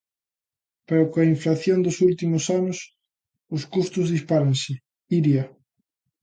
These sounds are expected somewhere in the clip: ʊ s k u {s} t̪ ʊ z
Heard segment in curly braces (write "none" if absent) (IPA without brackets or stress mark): s